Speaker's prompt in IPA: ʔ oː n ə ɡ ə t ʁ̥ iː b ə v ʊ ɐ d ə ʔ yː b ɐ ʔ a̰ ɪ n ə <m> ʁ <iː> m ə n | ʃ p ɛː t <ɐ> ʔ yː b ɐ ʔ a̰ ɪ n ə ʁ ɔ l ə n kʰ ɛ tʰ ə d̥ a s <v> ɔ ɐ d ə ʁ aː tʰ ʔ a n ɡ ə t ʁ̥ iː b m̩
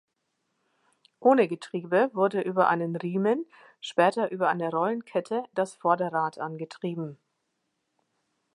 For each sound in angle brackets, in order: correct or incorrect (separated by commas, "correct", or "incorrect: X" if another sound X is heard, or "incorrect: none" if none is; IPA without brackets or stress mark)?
incorrect: n, correct, correct, incorrect: f